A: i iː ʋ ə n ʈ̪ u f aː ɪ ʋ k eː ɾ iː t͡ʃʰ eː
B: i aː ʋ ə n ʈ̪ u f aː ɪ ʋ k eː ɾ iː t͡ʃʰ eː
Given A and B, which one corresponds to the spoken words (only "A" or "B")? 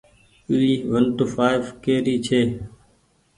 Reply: A